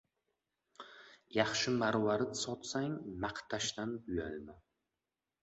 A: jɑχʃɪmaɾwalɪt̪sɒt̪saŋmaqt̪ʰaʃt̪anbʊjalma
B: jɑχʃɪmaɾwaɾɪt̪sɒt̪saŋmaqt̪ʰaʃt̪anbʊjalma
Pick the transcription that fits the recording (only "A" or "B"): B